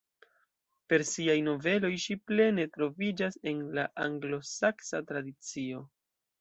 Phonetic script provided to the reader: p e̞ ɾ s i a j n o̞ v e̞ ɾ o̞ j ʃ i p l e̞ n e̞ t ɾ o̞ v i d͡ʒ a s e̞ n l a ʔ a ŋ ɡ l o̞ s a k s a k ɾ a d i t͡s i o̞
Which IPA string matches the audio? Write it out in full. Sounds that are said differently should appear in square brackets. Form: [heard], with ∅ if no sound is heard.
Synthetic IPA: p e̞ ɾ s i a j n o̞ v e̞ [l] o̞ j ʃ i p l e̞ n e̞ t ɾ o̞ v i d͡ʒ a s e̞ n l a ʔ a ŋ ɡ l o̞ s a k s a [t] ɾ a d i t͡s i o̞